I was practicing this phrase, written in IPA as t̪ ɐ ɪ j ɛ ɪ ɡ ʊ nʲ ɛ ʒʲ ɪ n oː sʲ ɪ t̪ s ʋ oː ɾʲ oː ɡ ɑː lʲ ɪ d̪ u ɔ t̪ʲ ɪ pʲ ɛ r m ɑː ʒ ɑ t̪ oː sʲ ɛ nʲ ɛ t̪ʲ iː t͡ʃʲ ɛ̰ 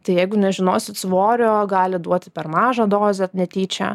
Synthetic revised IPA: t̪ ɐ ɪ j ɛ ɪ ɡ ʊ nʲ ɛ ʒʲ ɪ n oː sʲ ɪ t̪ s ʋ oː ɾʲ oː ɡ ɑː lʲ ɪ d̪ u ɔ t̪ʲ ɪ pʲ ɛ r m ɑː ʒ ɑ d̪ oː zʲ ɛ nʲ ɛ t̪ʲ iː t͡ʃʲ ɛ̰